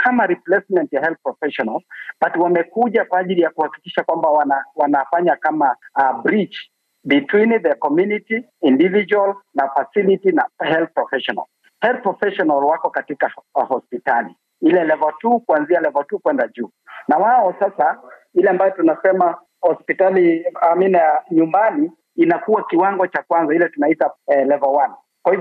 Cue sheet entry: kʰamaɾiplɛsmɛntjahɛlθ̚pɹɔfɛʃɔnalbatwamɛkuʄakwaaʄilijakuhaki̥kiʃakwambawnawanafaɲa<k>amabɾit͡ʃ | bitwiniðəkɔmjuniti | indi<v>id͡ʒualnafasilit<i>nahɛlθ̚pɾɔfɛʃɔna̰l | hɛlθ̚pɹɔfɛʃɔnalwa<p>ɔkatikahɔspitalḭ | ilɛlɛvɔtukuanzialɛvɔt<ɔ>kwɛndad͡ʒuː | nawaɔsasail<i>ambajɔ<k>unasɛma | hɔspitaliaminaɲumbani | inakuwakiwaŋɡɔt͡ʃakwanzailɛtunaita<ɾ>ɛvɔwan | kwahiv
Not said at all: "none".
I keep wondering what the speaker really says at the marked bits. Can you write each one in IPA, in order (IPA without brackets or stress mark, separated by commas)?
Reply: k, v, i, k, u, ɛ, t, l